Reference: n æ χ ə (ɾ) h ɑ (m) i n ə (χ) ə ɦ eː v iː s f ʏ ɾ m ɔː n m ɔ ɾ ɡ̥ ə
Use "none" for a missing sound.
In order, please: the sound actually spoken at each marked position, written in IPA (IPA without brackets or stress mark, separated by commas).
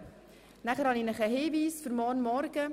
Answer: ɾ, n, χ